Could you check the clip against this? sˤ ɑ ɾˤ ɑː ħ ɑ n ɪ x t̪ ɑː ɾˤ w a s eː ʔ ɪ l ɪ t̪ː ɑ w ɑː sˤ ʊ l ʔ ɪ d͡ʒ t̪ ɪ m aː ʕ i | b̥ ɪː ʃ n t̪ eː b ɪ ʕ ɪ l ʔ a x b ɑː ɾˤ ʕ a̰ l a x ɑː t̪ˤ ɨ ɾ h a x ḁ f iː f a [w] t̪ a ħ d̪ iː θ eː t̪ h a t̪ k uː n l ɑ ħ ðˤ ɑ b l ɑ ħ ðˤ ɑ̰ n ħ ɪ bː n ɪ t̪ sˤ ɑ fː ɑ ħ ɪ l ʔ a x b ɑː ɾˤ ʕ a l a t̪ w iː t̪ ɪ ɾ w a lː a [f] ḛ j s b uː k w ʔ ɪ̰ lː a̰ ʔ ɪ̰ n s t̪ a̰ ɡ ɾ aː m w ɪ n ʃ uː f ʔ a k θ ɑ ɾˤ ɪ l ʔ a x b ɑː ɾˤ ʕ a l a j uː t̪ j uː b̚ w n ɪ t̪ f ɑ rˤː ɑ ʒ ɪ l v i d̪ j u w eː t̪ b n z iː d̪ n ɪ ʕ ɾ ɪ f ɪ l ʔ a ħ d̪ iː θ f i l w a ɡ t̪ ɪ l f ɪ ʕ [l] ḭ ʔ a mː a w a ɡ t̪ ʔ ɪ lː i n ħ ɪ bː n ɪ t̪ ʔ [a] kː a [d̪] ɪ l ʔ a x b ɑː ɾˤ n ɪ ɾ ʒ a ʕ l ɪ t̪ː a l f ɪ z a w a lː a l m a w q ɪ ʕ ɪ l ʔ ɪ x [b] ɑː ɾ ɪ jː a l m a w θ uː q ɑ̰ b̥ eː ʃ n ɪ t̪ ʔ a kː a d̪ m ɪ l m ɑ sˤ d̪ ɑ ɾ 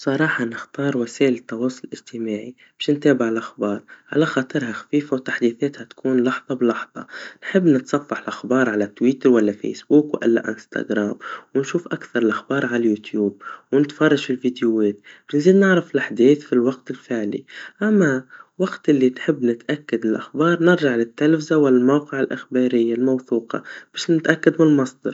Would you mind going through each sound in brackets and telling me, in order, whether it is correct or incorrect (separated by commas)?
correct, correct, correct, correct, correct, correct